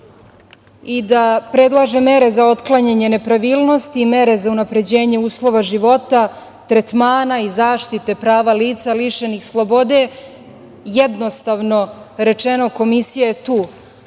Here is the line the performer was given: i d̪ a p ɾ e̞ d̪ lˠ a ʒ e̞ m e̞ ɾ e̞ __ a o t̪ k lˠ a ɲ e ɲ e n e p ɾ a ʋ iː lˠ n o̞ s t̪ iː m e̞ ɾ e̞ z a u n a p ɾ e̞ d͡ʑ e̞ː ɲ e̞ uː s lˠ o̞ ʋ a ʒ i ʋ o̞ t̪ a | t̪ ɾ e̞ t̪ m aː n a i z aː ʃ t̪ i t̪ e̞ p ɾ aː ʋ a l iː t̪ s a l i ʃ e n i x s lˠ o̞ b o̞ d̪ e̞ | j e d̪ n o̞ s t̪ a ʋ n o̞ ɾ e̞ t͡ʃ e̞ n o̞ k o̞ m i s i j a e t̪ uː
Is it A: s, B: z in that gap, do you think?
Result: B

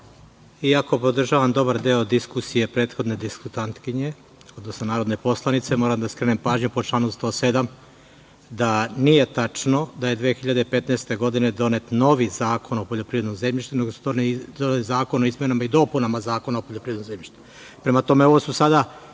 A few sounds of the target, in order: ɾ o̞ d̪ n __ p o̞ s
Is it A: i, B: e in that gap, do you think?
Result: B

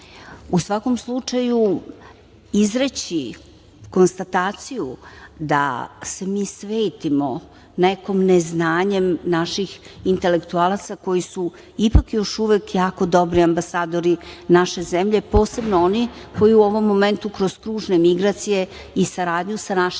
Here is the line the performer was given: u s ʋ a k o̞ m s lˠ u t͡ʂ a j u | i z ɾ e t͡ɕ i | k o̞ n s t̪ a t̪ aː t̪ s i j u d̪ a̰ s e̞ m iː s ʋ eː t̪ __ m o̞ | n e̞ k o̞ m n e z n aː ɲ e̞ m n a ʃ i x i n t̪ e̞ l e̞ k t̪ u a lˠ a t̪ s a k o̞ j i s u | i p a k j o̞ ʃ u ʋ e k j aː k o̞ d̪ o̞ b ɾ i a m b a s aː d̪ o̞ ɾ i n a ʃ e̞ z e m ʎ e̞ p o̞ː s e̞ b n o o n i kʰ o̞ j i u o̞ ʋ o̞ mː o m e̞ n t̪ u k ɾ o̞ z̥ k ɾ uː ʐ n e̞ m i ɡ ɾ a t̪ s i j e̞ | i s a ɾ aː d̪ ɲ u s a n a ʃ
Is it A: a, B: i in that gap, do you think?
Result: B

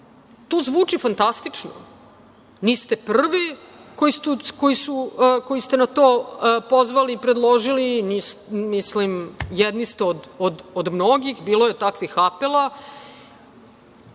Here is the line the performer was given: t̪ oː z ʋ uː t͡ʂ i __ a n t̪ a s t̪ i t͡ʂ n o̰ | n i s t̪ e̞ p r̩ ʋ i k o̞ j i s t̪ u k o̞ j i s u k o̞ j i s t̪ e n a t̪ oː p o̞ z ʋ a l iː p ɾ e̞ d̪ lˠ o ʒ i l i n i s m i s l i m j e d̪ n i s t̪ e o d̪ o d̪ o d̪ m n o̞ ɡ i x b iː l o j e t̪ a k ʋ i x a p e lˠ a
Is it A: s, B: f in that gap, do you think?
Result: B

